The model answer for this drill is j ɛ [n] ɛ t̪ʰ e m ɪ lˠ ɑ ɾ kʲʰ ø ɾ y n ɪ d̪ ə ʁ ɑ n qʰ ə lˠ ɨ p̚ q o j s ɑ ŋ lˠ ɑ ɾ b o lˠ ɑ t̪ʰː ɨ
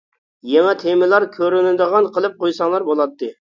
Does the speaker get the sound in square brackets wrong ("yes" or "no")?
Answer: yes